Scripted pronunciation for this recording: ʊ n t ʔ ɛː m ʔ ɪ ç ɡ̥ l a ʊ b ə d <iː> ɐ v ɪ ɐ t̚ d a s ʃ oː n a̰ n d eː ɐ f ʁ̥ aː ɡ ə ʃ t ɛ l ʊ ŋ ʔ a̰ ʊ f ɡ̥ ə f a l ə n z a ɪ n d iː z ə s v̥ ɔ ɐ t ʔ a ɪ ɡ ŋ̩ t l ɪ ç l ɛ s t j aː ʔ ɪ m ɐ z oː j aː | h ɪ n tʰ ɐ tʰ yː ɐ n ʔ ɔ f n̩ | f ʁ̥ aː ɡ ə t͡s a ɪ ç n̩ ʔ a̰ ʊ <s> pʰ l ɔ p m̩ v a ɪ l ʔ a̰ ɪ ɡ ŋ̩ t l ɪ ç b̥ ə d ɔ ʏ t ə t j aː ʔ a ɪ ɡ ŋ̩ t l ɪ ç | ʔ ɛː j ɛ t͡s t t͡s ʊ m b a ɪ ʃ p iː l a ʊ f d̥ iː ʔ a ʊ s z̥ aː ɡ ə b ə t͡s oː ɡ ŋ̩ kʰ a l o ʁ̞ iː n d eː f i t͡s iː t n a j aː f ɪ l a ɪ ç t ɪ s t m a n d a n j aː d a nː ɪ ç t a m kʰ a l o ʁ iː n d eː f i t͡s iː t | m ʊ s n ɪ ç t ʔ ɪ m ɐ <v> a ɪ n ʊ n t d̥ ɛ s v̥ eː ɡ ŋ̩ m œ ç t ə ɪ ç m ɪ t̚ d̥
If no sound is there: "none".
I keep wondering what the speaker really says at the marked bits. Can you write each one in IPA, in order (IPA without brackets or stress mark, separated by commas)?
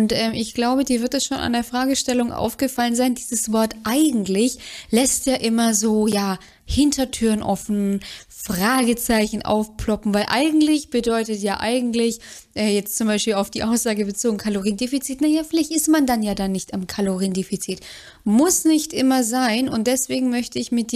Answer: iː, f, z